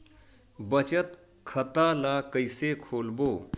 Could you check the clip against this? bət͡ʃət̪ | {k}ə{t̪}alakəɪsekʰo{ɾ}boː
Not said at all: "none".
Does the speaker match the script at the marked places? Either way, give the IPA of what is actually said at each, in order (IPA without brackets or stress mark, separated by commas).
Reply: kʰ, t̪, l